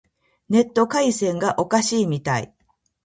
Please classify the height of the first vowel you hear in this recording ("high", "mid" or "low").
mid